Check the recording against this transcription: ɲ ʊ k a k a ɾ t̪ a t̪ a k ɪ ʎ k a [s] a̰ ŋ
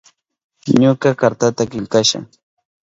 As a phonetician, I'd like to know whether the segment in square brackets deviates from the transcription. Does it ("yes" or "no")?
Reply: yes